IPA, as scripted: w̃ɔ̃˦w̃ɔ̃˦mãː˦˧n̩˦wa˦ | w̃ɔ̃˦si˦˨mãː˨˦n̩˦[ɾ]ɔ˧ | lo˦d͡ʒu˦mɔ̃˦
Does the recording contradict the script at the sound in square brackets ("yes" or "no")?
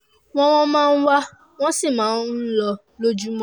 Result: yes